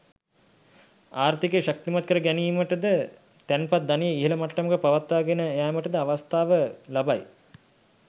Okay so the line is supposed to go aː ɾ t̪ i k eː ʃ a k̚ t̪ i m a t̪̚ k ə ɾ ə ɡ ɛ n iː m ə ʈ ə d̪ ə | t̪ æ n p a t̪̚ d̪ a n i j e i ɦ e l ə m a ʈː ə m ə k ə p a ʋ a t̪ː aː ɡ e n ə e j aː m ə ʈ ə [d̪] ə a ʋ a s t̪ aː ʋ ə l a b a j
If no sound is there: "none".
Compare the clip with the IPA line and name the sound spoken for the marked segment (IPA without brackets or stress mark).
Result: d̪